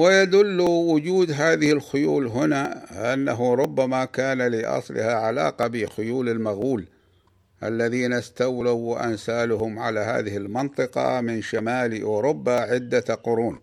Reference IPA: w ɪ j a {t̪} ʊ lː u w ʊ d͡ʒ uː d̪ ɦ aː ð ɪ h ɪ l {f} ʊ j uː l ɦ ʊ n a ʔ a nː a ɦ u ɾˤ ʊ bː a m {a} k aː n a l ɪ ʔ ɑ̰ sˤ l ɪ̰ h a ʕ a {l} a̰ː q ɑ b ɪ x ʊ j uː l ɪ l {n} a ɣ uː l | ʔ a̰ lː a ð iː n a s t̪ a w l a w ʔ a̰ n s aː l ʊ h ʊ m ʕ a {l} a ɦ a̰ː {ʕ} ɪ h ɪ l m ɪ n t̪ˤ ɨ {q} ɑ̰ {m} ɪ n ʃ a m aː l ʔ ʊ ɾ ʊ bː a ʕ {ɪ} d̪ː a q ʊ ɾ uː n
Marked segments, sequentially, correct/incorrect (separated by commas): incorrect, incorrect, correct, correct, incorrect, correct, incorrect, correct, correct, correct